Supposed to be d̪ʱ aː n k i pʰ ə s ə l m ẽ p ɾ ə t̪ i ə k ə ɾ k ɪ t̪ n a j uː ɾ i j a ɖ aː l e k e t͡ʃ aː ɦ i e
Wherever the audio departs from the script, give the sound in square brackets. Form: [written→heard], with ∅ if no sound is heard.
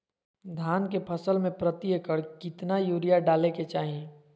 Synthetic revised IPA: d̪ʱ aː n k [i→e] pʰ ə s ə l m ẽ p ɾ ə t̪ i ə k ə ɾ k ɪ t̪ n a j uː ɾ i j a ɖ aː l e k e t͡ʃ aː ɦ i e